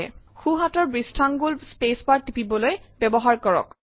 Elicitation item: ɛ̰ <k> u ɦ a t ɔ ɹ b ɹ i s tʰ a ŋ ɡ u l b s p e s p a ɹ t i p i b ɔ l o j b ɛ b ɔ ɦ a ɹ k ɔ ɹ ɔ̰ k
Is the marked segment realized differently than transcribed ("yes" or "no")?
yes